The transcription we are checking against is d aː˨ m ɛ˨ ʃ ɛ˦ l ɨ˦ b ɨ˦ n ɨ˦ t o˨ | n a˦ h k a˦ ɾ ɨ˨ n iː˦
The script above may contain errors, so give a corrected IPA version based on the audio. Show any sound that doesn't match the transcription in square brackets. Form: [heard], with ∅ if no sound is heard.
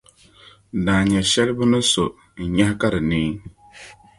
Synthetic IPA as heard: d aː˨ [ɲ] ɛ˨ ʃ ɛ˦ l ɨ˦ b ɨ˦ n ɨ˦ [s] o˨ | [ɲ] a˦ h k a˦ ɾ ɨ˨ n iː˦